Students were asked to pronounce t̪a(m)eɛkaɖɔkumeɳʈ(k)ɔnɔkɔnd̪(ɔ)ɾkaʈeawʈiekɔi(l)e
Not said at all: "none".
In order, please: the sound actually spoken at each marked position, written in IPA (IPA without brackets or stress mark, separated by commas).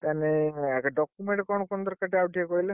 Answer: n, k, ɔ, l